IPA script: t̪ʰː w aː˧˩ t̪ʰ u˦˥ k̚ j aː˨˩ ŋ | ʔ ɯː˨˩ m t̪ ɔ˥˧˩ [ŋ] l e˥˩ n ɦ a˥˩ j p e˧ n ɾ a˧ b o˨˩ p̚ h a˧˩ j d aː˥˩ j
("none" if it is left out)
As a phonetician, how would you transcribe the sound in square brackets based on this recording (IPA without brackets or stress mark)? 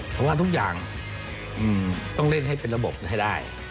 ŋ